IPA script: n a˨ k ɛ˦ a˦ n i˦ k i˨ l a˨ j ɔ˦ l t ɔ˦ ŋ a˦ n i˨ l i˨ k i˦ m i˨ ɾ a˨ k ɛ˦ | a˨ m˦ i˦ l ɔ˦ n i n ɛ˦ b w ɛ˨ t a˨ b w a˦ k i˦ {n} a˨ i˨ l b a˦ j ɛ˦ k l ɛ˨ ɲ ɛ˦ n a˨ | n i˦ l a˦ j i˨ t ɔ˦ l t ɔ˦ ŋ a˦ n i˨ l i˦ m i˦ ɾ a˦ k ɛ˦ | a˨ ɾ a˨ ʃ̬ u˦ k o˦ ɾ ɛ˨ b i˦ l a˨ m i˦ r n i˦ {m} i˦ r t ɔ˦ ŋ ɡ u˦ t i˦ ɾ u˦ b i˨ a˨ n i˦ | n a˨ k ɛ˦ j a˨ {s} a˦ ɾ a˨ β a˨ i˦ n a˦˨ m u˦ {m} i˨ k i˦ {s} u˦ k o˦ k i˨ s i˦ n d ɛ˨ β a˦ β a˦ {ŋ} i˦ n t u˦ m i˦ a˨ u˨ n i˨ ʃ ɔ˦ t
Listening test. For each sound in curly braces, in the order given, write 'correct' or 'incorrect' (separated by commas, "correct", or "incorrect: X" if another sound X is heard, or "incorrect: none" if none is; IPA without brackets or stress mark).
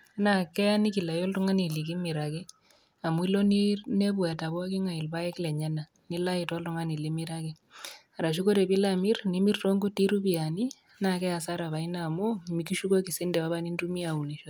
incorrect: ŋ, correct, correct, correct, incorrect: ʃ, incorrect: n